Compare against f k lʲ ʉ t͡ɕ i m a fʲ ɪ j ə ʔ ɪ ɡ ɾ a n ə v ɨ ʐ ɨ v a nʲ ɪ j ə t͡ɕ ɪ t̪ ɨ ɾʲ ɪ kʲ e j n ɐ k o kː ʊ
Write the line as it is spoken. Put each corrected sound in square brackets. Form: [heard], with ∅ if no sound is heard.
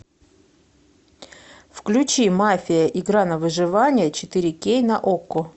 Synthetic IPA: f k lʲ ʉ t͡ɕ i m a fʲ ɪ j ə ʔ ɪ ɡ ɾ a n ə v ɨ ʐ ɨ v a nʲ ɪ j ə t͡ɕ ɪ t̪ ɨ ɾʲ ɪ kʲ e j n ɐ [ʔ] o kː ʊ